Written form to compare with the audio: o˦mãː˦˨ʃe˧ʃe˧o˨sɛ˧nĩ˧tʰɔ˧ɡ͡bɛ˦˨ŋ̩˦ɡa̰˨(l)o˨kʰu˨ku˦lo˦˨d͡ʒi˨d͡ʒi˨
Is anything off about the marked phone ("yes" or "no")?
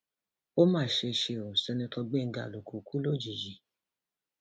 no